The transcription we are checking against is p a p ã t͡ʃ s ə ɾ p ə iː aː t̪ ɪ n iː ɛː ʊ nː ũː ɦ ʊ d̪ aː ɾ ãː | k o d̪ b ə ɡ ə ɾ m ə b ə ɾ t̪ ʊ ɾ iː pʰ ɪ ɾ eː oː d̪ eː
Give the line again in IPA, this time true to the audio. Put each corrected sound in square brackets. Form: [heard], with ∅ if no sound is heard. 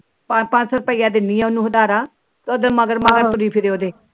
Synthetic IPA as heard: p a p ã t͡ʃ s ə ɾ p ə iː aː [d̪] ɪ n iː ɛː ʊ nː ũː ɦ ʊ d̪ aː ɾ [aː] | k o d̪ [m] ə ɡ ə ɾ m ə [ɡ] ə ɾ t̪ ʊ ɾ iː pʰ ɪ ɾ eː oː d̪ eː